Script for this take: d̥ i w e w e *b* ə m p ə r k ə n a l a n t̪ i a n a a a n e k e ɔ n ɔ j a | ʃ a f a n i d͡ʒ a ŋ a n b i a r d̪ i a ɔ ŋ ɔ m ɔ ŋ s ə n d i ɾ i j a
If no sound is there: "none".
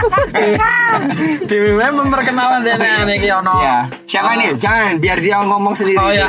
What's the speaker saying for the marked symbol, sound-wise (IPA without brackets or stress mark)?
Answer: m